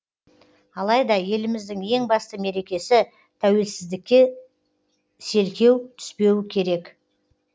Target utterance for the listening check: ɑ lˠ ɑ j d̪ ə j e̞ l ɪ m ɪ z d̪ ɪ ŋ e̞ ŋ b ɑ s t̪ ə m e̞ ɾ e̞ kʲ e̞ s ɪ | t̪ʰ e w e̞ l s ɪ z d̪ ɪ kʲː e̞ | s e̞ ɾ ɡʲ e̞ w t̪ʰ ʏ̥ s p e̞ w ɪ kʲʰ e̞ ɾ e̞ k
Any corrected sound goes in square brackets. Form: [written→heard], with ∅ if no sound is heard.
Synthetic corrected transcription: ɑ lˠ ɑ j d̪ [ə→ɑ] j e̞ l ɪ m ɪ z d̪ ɪ ŋ e̞ ŋ b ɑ s t̪ ə m e̞ ɾ e̞ kʲ e̞ s ɪ | t̪ʰ [e→æ] w e̞ l s ɪ z d̪ ɪ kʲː e̞ | s e̞ ɾ [ɡʲ→kʲ] e̞ w t̪ʰ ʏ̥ s p e̞ w ɪ kʲʰ e̞ ɾ e̞ k